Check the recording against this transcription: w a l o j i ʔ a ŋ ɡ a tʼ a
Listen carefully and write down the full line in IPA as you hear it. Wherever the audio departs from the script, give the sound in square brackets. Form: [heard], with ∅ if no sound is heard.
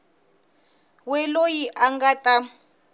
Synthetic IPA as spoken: w [ɛ] l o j i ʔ a ŋ ɡ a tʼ a